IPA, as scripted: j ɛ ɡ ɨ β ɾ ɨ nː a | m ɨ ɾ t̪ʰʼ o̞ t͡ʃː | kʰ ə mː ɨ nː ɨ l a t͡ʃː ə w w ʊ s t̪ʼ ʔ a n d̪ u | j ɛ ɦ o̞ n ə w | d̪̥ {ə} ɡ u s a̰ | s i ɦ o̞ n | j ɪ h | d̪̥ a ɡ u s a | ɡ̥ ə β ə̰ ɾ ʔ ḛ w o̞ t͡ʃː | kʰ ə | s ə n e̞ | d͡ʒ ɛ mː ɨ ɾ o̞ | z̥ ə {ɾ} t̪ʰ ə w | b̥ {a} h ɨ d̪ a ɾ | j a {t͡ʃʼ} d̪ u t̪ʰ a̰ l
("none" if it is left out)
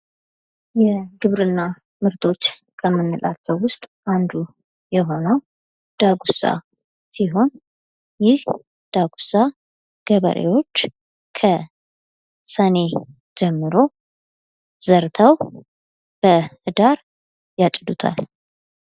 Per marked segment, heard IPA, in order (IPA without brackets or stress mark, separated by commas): a, ɾ, ə, t͡ʃʼ